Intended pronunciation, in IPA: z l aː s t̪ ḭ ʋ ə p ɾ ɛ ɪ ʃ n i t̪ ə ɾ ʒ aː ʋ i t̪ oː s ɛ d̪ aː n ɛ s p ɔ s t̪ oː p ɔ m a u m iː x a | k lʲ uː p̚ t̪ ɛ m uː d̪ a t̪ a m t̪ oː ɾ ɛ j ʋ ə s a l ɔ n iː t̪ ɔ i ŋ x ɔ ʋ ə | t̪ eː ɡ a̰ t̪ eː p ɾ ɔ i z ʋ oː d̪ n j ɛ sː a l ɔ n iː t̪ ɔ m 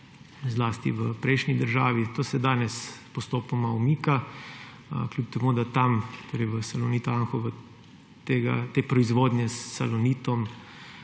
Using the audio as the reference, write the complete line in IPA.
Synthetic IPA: z l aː s t̪ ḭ ʋ ə p ɾ ɛ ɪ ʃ n i d̪ ə ɾ ʒ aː ʋ i t̪ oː s ɛ d̪ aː n ɛ s p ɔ s t̪ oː p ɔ m a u m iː k a | k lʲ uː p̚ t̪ ɛ m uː d̪ a t̪ a m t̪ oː ɾ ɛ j ʋ ə s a l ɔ n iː t̪ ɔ a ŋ x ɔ ʋ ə | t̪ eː ɡ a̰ t̪ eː p ɾ ɔ i z ʋ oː d̪ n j ɛ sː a l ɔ n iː t̪ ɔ m